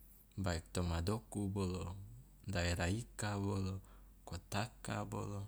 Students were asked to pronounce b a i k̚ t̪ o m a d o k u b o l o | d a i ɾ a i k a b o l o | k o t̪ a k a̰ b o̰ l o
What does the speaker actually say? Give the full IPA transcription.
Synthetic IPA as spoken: b a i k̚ t̪ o m a d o k u b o l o | d a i ɾ a i k a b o l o | k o t̪ a k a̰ b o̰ l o